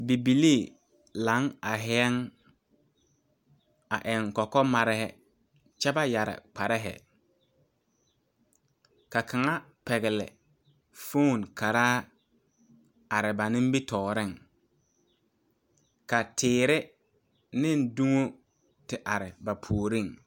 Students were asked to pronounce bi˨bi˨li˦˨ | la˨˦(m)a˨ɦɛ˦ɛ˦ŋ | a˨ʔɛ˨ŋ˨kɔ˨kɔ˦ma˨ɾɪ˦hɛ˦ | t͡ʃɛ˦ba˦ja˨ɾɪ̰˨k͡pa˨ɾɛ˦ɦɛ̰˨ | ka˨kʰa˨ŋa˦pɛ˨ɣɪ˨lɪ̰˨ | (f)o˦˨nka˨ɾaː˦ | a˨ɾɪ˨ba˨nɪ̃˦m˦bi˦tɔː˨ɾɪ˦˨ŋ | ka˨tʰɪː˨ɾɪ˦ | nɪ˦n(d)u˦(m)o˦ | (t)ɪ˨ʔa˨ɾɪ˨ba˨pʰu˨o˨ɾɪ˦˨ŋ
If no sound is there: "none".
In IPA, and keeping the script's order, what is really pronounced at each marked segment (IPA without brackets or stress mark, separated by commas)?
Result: ŋ, f, d, ŋ, t